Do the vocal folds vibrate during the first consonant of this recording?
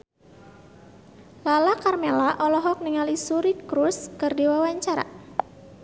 yes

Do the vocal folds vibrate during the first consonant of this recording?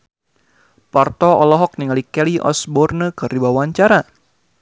no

